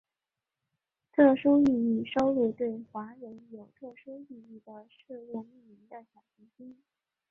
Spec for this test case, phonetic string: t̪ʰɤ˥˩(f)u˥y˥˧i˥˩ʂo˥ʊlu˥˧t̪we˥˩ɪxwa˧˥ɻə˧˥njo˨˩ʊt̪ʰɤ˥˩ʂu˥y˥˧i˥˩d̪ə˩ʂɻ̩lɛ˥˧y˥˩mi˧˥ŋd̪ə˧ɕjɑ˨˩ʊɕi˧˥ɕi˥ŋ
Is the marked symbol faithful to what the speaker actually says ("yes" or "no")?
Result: no